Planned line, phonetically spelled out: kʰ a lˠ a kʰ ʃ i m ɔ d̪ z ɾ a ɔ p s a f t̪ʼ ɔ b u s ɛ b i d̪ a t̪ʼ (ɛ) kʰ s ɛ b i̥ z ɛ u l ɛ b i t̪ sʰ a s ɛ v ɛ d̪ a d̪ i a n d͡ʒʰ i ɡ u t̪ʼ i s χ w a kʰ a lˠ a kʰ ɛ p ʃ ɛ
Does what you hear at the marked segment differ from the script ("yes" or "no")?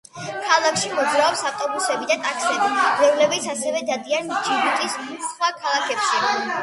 yes